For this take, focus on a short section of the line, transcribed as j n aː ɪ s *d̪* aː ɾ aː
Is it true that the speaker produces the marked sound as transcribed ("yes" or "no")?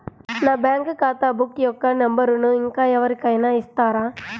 no